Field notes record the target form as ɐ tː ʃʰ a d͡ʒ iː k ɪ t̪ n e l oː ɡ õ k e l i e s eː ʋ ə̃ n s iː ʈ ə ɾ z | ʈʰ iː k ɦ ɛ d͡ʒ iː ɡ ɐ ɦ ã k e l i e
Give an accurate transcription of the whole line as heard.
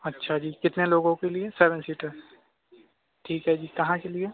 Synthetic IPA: ɐ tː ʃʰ a d͡ʒ iː k ɪ t̪ n e l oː ɡ õ k e l i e s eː ʋ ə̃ n s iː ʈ ə ɾ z | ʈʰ iː k ɦ ɛ d͡ʒ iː k ɐ ɦ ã k e l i e